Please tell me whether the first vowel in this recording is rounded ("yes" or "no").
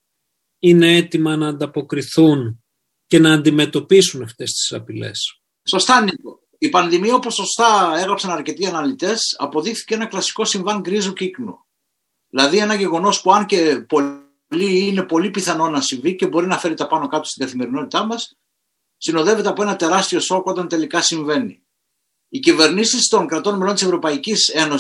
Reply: no